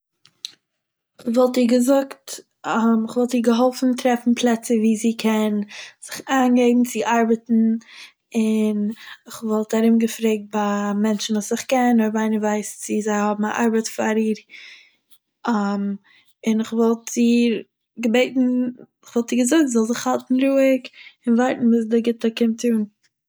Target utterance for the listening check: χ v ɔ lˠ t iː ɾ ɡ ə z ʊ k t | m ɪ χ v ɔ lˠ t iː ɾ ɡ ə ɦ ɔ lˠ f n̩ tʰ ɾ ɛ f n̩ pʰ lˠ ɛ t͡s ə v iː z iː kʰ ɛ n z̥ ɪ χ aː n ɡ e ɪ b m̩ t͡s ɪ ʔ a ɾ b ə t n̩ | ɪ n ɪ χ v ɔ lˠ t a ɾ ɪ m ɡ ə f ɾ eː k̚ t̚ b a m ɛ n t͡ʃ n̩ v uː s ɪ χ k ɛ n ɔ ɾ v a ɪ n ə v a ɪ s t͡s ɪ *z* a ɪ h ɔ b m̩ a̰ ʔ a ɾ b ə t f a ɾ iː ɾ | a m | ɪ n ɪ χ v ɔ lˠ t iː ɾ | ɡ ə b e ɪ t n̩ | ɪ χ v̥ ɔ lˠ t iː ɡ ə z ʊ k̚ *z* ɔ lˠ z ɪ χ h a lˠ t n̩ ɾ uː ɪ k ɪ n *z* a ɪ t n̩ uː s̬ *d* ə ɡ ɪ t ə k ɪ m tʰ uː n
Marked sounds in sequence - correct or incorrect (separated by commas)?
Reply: correct, correct, incorrect, correct